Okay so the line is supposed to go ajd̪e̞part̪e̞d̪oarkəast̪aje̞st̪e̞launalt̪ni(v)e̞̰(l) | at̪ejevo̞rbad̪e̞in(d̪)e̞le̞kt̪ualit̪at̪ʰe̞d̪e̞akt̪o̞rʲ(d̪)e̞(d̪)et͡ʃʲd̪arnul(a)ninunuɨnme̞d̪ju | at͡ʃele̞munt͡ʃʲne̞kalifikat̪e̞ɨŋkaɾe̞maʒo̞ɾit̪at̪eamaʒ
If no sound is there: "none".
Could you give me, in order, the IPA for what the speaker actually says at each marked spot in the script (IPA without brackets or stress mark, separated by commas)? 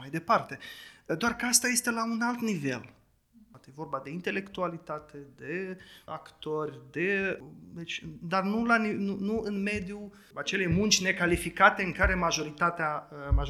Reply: v, l, t̪, d̪, d̪, a